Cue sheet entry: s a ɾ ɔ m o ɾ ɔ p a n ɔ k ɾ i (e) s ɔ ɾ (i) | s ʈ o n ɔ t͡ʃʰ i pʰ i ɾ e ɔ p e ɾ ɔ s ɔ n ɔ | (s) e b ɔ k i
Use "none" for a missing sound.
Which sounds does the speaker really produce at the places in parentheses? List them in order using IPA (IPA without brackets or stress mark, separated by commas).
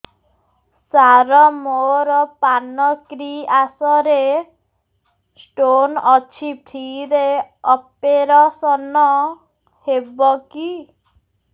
a, e, h